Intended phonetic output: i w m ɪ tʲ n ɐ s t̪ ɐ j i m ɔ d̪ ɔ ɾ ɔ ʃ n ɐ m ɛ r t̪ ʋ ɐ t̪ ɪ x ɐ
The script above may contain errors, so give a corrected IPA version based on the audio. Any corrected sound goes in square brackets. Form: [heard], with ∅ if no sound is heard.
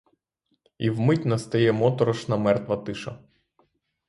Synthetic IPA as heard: i w m ɪ tʲ n ɐ s t̪ ɐ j [ɛ] m ɔ [t̪] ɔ ɾ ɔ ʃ n ɐ m ɛ r t̪ ʋ ɐ t̪ ɪ [ʃ] ɐ